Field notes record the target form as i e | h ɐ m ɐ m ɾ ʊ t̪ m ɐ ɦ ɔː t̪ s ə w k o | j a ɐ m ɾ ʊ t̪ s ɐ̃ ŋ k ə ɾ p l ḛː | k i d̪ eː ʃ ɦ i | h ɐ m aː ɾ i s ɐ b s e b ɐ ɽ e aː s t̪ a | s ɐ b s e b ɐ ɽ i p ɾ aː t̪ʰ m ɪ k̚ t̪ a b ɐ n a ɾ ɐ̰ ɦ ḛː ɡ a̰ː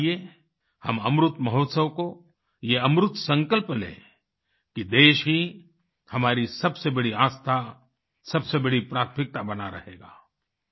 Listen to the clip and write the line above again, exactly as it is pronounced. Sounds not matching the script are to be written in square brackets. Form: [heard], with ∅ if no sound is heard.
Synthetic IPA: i e | h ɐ m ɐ m ɾ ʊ t̪ m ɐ ɦ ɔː t̪ s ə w k o | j [e] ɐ m ɾ ʊ t̪ s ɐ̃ ŋ k ə [l] p l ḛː | k i d̪ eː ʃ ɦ i | h ɐ m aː ɾ i s ɐ b s e b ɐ ɽ [i] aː s [t̪ʰ] a | s ɐ b s e b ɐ ɽ i p ɾ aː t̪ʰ m ɪ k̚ t̪ a b ɐ n a ɾ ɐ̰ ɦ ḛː ɡ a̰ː